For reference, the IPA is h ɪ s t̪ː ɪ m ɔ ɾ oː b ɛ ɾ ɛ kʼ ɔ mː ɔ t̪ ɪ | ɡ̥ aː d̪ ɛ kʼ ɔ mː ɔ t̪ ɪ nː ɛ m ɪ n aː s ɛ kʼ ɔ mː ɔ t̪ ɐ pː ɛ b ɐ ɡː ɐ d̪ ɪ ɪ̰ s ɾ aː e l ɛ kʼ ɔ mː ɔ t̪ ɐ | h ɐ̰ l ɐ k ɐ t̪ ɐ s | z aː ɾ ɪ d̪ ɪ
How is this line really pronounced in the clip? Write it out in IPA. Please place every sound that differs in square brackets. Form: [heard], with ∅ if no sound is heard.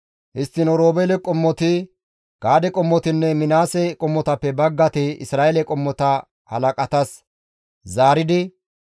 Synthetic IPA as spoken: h ɪ s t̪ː ɪ [n] ɔ ɾ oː b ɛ [l] ɛ kʼ ɔ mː ɔ t̪ ɪ | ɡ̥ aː d̪ ɛ kʼ ɔ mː ɔ t̪ ɪ nː ɛ m ɪ n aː s ɛ kʼ ɔ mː ɔ t̪ ɐ pː ɛ b ɐ ɡː ɐ [t̪] ɪ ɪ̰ s ɾ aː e l ɛ kʼ ɔ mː ɔ t̪ ɐ | h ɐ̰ l ɐ [kʼ] ɐ t̪ ɐ s | z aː ɾ ɪ d̪ ɪ